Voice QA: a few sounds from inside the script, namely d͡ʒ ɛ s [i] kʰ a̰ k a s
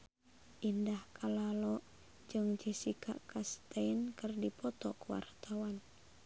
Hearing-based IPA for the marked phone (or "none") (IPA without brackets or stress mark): i